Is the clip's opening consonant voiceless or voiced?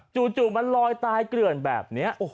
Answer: voiceless